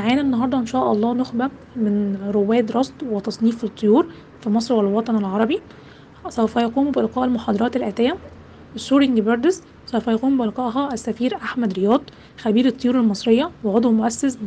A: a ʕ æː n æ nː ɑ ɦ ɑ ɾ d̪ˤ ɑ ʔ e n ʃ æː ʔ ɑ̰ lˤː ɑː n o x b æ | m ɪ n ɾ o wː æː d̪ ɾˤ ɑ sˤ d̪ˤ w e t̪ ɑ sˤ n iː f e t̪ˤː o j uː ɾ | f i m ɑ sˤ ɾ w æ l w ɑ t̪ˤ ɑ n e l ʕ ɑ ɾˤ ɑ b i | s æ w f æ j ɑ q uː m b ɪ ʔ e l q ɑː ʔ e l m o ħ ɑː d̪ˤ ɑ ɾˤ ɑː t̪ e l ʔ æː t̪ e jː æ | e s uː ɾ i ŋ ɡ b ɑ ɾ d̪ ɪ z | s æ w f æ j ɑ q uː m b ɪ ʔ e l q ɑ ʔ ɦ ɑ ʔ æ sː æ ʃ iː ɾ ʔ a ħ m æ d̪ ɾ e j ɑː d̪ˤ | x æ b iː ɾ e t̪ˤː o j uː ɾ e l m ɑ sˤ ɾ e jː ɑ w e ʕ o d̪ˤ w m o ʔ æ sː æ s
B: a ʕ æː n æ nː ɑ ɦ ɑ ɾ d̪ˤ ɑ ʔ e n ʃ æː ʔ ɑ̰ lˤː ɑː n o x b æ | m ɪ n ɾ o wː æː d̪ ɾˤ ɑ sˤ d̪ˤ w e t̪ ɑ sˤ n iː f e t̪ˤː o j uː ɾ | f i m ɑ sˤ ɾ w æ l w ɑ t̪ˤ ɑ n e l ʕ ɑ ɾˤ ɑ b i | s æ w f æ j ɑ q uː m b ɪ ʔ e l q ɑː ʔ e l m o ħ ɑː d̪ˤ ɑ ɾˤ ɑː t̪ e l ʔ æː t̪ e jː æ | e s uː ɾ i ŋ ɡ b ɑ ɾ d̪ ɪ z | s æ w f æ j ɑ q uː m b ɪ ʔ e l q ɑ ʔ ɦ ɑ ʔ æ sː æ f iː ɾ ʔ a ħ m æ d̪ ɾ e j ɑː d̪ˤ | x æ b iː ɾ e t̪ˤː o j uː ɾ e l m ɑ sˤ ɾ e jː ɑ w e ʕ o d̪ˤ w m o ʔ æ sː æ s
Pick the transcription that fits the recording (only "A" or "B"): B